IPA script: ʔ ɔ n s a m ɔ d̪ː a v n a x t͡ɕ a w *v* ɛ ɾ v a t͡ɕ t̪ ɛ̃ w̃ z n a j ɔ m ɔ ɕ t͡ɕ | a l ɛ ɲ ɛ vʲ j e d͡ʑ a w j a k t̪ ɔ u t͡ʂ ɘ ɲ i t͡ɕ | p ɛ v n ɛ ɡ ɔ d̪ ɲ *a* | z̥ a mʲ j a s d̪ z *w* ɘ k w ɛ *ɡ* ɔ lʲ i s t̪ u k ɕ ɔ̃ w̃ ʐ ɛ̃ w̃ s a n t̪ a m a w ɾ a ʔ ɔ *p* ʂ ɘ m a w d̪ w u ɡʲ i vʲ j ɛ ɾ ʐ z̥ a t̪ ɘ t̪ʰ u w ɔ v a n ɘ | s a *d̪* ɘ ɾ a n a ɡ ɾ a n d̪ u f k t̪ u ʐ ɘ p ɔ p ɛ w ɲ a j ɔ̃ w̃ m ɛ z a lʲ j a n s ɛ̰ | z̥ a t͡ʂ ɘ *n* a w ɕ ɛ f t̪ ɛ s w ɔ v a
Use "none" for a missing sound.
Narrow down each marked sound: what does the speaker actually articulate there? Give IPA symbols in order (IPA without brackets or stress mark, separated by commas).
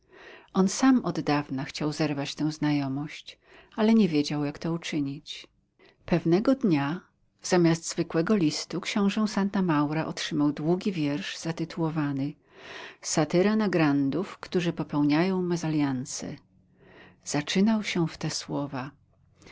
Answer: z, a, v, ɡ, t, t̪, n